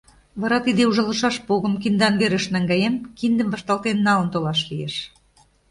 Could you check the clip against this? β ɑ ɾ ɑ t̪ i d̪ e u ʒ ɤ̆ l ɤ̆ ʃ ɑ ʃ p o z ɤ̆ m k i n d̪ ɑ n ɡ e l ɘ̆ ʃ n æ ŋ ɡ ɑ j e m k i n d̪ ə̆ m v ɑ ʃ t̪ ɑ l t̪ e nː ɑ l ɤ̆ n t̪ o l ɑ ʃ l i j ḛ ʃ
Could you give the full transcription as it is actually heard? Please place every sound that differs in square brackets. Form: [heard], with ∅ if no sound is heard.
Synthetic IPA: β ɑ ɾ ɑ t̪ i d̪ e u ʒ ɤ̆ l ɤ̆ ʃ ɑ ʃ p o [ɣ] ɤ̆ m k i n d̪ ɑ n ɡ e [ɾ] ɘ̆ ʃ n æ ŋ ɡ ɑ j e m k i n d̪ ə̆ m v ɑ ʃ t̪ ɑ l t̪ e nː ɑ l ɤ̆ n t̪ o l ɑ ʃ l i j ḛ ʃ